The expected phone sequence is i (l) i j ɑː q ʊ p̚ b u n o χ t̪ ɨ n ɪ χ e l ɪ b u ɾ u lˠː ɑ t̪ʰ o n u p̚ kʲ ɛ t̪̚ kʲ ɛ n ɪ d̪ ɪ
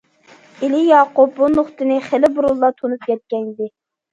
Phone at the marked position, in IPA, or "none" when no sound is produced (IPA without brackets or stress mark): l